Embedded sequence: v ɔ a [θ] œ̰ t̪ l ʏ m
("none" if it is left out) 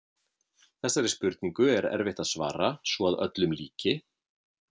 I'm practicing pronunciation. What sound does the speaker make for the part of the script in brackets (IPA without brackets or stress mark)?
ð